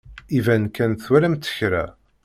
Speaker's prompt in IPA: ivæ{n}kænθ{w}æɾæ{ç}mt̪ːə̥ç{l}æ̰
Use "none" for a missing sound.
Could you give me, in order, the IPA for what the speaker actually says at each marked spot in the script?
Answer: n, w, none, ɾ

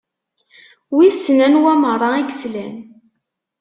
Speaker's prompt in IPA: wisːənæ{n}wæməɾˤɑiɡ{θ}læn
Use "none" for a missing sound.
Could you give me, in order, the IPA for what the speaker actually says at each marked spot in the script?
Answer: n, s

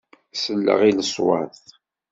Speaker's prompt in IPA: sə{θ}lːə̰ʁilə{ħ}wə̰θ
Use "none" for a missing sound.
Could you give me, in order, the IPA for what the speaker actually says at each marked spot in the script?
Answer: none, s

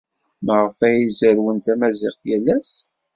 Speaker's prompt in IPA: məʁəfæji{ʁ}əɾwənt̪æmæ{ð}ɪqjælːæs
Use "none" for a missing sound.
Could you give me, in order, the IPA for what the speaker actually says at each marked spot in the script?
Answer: z, z

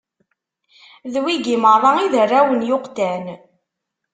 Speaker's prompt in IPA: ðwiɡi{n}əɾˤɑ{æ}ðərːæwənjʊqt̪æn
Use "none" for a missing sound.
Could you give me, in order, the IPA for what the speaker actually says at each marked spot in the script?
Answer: m, i

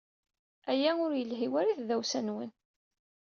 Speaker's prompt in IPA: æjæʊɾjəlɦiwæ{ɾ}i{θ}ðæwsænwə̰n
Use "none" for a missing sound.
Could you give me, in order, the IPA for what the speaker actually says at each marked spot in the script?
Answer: ɾ, θ

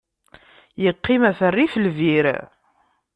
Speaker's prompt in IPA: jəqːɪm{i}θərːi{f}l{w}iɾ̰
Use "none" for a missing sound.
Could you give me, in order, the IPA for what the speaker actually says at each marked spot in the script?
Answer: æ, f, v

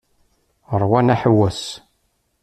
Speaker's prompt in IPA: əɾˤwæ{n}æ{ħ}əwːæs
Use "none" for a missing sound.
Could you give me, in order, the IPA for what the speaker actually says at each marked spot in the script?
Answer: n, ħ

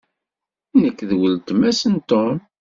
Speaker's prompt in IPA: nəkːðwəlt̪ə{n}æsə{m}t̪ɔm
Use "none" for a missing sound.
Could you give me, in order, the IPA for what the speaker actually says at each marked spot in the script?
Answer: m, n

